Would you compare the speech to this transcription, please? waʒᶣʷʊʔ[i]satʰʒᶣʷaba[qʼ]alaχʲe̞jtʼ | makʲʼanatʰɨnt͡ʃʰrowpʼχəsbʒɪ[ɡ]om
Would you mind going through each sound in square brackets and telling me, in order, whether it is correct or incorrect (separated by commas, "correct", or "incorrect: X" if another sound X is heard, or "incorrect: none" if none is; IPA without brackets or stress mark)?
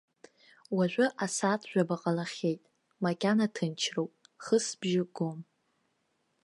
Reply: incorrect: a, correct, correct